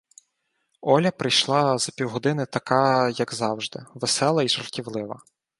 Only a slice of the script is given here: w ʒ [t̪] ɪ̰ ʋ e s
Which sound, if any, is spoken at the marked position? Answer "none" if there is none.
d̪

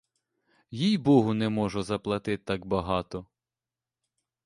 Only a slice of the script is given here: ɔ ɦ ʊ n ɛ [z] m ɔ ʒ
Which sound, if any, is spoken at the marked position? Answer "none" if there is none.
none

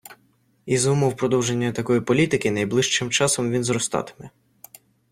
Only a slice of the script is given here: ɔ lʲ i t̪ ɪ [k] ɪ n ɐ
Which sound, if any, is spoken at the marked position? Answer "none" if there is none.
k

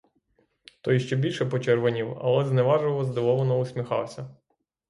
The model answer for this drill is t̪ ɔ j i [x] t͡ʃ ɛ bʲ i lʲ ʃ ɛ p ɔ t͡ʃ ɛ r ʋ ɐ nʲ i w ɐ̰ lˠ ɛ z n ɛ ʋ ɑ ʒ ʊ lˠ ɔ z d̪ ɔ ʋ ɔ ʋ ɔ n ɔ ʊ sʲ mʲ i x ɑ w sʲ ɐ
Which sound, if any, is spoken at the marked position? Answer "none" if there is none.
ʃ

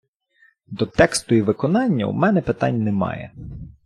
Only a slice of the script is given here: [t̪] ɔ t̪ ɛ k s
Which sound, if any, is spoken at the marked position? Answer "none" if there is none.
d̪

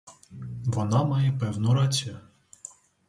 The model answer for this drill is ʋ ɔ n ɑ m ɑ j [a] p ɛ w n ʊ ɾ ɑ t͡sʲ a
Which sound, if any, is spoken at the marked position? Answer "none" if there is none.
ɛ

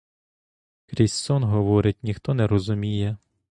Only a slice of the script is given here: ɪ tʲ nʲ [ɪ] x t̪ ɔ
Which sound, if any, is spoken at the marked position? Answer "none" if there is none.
i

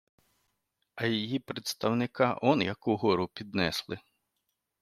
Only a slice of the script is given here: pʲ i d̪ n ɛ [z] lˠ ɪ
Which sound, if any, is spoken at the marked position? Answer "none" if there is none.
s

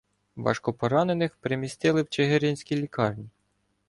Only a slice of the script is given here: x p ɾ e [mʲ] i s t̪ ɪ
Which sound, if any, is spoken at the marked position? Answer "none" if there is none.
mʲ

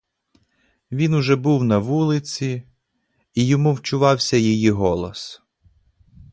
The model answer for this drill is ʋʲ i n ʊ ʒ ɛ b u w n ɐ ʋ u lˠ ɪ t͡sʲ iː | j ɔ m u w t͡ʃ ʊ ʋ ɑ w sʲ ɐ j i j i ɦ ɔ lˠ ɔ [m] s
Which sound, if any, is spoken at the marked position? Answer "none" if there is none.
none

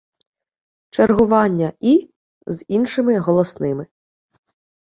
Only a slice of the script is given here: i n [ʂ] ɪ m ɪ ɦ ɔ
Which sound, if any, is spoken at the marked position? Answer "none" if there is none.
ʃ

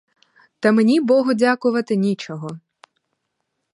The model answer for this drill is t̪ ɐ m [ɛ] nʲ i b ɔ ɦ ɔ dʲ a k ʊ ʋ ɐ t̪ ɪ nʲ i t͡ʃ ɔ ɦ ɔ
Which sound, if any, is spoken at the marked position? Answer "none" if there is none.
e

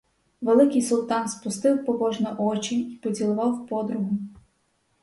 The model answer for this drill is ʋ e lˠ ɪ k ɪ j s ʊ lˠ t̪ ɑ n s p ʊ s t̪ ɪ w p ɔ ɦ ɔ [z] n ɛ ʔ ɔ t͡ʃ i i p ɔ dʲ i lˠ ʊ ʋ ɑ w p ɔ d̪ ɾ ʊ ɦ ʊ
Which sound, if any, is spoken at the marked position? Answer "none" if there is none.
ʒ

